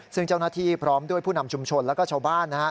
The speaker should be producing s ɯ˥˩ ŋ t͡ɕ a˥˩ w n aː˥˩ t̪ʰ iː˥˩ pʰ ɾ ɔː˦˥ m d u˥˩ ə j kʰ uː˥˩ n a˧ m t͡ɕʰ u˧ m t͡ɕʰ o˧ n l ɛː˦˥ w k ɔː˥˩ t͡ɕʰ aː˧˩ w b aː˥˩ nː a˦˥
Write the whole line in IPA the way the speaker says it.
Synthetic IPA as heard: s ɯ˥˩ ŋ t͡ɕ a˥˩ w n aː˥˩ t̪ʰ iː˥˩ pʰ ɾ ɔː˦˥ m d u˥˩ ə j pʰ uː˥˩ n a˧ m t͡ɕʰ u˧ m t͡ɕʰ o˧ n l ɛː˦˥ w k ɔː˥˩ t͡ɕʰ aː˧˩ w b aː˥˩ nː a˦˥